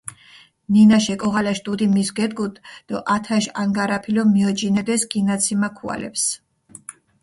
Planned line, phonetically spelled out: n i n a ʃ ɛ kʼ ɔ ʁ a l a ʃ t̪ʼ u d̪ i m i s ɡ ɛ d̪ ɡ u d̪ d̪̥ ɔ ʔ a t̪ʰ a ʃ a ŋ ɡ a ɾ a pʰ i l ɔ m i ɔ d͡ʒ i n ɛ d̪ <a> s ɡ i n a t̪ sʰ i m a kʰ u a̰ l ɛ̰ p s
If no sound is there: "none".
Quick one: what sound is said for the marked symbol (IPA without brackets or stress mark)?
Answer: ɛ